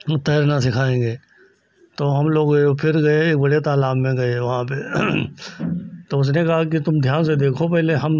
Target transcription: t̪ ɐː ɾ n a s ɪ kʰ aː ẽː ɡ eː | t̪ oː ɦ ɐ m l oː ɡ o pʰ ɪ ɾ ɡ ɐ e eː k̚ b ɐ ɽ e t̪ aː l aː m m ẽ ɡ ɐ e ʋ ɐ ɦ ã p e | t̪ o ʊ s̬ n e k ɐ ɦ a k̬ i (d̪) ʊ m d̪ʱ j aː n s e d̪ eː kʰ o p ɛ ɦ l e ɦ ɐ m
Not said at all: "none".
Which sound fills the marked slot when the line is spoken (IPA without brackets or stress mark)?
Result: t̪